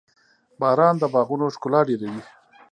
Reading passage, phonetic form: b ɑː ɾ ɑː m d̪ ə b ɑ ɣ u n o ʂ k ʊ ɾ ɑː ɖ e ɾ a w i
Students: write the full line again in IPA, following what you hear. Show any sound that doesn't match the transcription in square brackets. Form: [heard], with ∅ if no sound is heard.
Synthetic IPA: b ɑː ɾ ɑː [n] d̪ ə b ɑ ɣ u n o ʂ k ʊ [l] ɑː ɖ e ɾ a w i